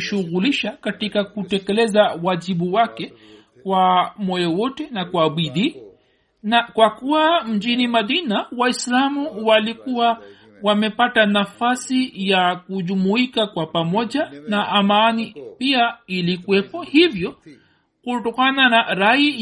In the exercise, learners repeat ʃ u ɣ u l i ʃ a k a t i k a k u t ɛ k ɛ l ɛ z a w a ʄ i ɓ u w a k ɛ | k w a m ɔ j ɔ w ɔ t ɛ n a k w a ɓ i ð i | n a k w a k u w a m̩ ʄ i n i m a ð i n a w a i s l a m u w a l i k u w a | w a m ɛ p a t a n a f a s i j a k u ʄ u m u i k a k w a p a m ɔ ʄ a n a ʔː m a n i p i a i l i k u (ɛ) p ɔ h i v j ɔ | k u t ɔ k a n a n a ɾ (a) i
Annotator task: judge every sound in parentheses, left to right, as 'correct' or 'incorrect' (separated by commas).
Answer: correct, correct